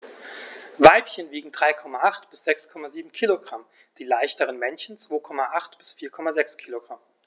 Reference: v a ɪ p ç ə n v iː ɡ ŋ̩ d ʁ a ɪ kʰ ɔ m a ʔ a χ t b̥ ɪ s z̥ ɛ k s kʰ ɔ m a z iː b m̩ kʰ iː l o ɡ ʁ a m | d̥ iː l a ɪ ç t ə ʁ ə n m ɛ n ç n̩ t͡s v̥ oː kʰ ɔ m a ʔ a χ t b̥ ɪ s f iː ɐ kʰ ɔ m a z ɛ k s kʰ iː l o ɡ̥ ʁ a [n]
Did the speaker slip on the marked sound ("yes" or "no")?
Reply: yes